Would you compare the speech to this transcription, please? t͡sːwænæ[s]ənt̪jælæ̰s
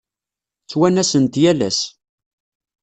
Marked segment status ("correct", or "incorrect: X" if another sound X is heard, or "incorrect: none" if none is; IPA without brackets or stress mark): correct